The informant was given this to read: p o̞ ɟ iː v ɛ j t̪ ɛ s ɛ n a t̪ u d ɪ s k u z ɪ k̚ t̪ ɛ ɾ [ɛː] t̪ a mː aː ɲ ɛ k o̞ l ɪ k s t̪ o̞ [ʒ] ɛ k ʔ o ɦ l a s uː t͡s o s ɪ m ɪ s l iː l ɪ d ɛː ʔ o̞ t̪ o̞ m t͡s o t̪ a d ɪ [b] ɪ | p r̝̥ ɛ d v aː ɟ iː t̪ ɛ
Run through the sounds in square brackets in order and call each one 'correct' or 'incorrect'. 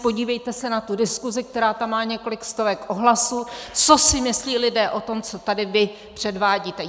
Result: incorrect: aː, incorrect: v, incorrect: v

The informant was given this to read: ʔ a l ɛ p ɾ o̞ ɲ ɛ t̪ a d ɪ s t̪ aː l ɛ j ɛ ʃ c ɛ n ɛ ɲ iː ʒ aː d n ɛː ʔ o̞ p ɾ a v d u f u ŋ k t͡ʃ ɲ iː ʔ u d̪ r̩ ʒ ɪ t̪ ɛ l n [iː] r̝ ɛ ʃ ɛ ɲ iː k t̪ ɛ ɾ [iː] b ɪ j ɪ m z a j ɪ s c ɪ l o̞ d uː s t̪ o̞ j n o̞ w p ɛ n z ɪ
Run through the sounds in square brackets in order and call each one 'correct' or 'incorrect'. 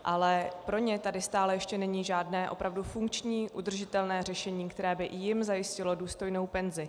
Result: incorrect: ɛː, incorrect: ɛː

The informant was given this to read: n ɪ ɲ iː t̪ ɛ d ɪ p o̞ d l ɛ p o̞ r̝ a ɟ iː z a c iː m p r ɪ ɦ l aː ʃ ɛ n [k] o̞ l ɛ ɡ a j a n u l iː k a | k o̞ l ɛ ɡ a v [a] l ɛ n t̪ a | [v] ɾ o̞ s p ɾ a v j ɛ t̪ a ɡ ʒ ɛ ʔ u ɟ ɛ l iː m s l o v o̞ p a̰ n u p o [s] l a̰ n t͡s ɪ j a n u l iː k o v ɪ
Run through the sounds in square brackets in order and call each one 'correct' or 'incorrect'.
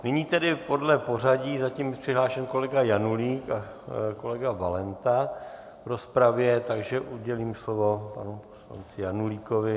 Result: correct, correct, correct, correct

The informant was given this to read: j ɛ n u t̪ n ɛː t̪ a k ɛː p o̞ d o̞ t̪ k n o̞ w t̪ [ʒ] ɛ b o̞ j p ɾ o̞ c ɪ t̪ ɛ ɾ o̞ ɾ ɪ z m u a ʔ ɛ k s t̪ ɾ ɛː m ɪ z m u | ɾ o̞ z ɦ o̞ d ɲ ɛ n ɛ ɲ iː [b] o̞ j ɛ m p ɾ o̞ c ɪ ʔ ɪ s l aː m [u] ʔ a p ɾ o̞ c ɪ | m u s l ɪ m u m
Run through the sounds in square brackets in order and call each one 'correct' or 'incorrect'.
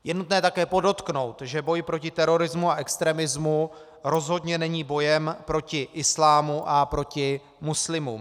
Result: correct, correct, correct

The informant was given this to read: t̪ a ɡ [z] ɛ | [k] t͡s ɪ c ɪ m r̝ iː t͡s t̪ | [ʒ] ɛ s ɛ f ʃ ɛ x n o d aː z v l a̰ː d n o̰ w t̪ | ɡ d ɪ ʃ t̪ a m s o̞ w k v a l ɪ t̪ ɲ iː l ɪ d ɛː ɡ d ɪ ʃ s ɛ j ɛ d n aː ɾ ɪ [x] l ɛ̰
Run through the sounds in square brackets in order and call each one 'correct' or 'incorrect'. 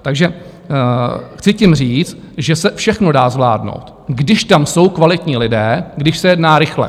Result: incorrect: ʒ, incorrect: x, correct, correct

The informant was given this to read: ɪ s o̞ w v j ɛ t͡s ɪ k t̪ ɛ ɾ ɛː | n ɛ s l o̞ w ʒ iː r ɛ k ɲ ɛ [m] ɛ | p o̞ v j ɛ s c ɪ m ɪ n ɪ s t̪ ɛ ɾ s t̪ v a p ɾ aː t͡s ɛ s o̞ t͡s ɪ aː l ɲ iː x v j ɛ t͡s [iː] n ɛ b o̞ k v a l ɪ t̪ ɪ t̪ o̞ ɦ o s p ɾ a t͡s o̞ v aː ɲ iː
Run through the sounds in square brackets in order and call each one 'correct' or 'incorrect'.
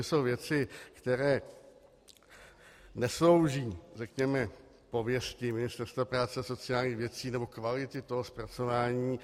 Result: correct, correct

